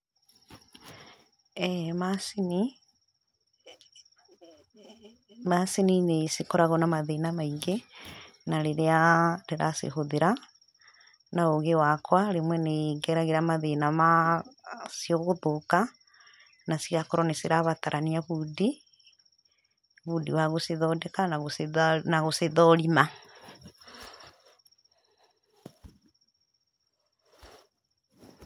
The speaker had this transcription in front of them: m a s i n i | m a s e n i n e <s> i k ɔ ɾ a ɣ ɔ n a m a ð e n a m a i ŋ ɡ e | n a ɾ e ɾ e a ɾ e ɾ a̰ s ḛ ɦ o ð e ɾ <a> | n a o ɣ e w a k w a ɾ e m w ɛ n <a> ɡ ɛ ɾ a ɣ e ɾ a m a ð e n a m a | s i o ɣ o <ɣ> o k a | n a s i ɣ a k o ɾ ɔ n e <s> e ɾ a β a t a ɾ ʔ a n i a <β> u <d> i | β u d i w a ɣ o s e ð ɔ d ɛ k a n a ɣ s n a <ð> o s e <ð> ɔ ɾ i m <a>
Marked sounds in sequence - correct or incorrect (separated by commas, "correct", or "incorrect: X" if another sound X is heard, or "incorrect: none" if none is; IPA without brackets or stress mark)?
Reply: correct, correct, incorrect: e, incorrect: ð, correct, correct, correct, incorrect: ɣ, correct, correct